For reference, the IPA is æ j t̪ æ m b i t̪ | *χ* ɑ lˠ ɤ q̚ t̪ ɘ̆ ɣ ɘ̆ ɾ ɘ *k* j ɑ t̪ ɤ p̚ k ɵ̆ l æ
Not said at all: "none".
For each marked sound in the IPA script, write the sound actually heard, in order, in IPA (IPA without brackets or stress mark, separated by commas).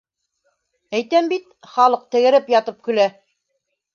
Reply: χ, p